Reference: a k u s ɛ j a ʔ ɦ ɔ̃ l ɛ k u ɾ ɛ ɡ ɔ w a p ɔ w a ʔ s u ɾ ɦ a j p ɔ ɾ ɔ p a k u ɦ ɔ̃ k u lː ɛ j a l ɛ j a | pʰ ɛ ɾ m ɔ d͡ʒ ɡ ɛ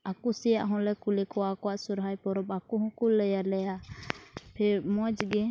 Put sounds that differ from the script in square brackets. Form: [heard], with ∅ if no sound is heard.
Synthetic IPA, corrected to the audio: a k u s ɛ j a ʔ ɦ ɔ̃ l ɛ k u [l] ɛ [k] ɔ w a [k] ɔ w a ʔ s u ɾ ɦ a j p ɔ ɾ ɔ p a k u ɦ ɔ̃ k u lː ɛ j a l ɛ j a | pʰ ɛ ɾ m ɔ d͡ʒ ɡ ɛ